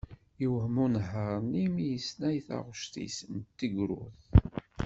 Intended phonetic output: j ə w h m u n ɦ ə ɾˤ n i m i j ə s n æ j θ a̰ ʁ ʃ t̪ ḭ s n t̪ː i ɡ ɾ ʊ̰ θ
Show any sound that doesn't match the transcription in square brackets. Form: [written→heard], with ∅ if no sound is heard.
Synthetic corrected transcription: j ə w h m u n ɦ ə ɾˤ n i m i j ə s n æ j θ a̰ ʁ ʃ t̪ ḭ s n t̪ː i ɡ ɾ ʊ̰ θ